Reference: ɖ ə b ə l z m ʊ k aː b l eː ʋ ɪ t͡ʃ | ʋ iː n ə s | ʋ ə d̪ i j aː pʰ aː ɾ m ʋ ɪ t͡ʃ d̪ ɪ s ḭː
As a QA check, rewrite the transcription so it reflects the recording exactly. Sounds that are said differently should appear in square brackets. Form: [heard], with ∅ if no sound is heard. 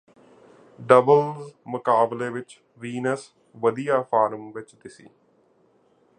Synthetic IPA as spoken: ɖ ə b ə l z m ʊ k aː b l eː ʋ ɪ t͡ʃ | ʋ iː n ə s | ʋ ə d̪ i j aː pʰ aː ɾ m ʋ ɪ t͡ʃ d̪ ɪ s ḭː